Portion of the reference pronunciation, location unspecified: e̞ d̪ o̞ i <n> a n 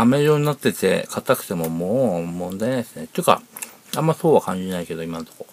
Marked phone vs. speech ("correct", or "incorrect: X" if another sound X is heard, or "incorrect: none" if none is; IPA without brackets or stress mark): incorrect: m